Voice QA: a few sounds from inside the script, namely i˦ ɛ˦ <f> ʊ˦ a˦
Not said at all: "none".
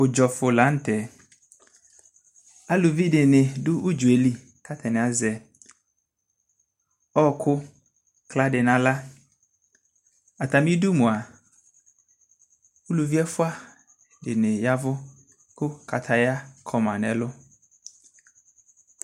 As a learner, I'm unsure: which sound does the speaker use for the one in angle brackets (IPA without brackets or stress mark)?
f